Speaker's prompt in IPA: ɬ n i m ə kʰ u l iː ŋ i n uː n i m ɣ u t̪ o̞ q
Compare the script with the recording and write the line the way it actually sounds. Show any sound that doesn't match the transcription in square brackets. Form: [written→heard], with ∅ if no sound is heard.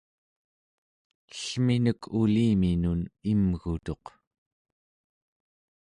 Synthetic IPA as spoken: ɬ [n→m] i [m→n] ə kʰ u l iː [ŋ→m] i n [uː→u] n i m ɣ u t̪ o̞ q